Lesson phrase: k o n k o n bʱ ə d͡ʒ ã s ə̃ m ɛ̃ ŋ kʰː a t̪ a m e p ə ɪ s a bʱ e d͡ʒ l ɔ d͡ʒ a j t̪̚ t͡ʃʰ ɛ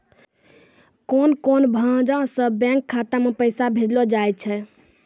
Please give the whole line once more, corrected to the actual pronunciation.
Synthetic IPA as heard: k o n k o n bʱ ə d͡ʒ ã s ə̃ b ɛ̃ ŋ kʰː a t̪ a m e p ə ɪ s a bʱ e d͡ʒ l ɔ d͡ʒ a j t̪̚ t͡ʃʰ ɛ

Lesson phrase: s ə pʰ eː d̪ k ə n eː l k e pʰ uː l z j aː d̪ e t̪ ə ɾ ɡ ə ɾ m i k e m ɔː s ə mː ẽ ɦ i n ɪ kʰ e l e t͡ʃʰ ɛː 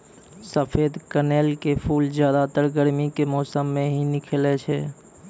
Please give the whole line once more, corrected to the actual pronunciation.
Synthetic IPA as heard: s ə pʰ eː d̪ k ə n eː l k e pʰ uː l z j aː d̪ a t̪ ə ɾ ɡ ə ɾ m i k e m ɔː s ə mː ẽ ɦ i n ɪ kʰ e l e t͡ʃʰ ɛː

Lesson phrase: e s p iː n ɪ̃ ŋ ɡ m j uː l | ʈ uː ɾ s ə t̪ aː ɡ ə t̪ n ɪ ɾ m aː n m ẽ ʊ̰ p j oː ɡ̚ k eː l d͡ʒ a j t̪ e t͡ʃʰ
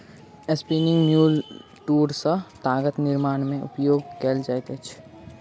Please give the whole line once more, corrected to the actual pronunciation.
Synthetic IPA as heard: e s p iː n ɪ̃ ŋ ɡ m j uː l | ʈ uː ɾ s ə t̪ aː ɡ ə t̪ n ɪ ɾ m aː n m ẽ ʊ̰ p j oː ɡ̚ k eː l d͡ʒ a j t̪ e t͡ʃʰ

